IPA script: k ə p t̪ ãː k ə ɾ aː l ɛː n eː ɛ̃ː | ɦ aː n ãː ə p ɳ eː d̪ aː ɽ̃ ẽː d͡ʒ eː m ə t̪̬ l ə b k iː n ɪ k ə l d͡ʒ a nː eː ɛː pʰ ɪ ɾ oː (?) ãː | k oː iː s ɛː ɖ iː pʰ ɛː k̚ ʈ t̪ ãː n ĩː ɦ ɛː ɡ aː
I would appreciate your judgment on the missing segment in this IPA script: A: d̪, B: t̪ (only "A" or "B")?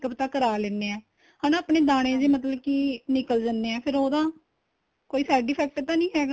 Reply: A